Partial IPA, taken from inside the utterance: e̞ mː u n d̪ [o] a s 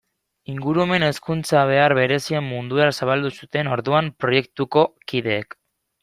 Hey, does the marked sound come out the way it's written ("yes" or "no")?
no